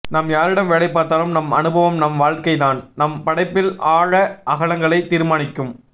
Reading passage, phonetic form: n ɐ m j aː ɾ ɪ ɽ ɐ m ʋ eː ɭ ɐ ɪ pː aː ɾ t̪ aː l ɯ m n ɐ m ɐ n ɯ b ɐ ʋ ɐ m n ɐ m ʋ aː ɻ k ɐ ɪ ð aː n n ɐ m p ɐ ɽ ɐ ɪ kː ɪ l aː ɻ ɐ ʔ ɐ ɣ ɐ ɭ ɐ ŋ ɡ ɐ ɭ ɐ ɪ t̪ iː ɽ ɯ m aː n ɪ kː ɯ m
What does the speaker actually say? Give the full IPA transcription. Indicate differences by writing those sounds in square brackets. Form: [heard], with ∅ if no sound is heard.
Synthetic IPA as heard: n ɐ m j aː ɾ ɪ ɽ ɐ m ʋ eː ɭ ɐ ɪ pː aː ɾ t̪ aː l ɯ m n ɐ m ɐ n ɯ b ɐ ʋ ɐ m n ɐ m ʋ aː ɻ k ɐ ɪ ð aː n n ɐ m p ɐ ɽ ɐ ɪ [pː] ɪ l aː ɻ ɐ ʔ ɐ ɣ ɐ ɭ ɐ ŋ ɡ ɐ ɭ ɐ ɪ t̪ iː [ɾ] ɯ m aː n ɪ kː ɯ m